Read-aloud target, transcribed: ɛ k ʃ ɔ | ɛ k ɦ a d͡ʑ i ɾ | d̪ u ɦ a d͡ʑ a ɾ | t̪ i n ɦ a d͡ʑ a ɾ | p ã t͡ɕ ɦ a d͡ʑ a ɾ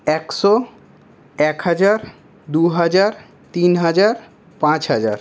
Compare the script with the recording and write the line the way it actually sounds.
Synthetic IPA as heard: ɛ k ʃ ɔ | ɛ k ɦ a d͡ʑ a ɾ | d̪ u ɦ a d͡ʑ a ɾ | t̪ i n ɦ a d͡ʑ a ɾ | p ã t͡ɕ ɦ a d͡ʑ a ɾ